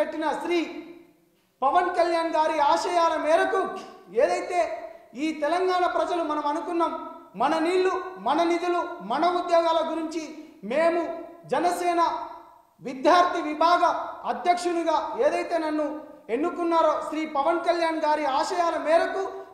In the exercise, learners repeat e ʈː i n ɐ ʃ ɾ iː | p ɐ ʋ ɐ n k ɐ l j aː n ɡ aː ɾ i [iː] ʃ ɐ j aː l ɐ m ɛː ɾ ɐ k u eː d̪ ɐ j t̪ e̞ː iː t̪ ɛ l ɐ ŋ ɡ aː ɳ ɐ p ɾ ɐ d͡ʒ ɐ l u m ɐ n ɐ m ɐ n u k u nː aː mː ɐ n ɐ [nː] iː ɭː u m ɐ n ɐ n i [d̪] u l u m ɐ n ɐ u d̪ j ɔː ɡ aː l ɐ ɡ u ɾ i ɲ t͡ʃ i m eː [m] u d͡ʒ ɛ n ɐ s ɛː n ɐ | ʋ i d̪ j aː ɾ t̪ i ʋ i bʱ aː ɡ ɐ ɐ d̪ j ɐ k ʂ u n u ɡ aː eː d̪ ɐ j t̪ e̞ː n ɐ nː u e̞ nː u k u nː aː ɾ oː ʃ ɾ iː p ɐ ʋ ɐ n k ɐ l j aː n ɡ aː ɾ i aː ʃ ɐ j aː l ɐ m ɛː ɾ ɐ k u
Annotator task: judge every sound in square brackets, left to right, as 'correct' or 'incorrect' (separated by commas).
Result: incorrect, incorrect, correct, correct